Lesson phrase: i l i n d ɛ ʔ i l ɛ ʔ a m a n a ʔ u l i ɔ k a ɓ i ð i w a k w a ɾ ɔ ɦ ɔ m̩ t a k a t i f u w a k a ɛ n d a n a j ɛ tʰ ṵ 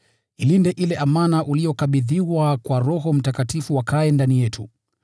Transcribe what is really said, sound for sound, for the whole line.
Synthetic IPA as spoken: i l i n d ɛ ʔ i l ɛ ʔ a m a n a ʔ u l i ɔ k a ɓ i ð i w a k w a ɾ ɔ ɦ ɔ m̩ t a k a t i f u w a k a ɛ n d a n i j ɛ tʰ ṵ

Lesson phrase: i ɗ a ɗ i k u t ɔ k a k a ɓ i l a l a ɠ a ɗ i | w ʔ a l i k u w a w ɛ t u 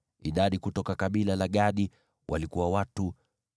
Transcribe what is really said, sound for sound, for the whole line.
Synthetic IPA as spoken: i ɗ a ɗ i k u t ɔ k a k a ɓ i l a l a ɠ a ɗ i | w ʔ a l i k u w a w a t u

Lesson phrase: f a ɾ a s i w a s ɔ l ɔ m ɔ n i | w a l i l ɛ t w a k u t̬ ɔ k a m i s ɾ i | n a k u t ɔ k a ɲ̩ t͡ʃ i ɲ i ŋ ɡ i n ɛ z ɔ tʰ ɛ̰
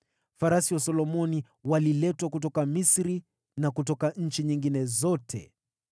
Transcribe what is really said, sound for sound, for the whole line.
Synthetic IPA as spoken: f a ɾ a s i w a s ɔ l ɔ m ɔ n i | w a l i l ɛ t w a k u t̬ ɔ k a m i s ɾ i | n a k u t ɔ k a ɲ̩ t͡ʃ i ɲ i ŋ ɡ i n ɛ z ɔ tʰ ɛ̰

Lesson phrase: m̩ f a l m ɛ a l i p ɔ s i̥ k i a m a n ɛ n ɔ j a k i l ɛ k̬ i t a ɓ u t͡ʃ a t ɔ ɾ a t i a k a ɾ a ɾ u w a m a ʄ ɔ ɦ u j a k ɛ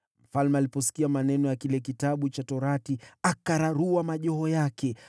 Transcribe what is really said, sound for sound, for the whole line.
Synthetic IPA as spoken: m̩ f a l m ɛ a l i p ɔ s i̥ k i a m a n ɛ n ɔ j a k i l ɛ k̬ i t a ɓ u t͡ʃ a t ɔ ɾ a t i a k a ɾ a ɾ u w a m a ʄ ɔ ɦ ɔ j a k ɛ

